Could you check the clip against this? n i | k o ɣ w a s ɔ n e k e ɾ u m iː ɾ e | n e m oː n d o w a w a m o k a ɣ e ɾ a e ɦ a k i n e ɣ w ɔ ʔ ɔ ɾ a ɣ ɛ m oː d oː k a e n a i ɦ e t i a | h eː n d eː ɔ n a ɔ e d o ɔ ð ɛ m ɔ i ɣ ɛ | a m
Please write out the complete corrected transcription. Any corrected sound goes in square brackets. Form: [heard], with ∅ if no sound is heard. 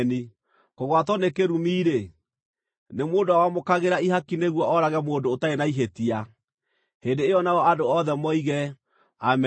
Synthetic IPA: n i | k o ɣ w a [t] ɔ n e k e ɾ u m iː ɾ e | n e m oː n d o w a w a m o k a ɣ e ɾ a [i] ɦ a k i n e ɣ w ɔ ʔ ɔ ɾ a ɣ ɛ m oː d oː [t] a e n a i ɦ e t i a | h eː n d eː ɔ n a ɔ [a] d o ɔ ð ɛ m ɔ i ɣ ɛ | a m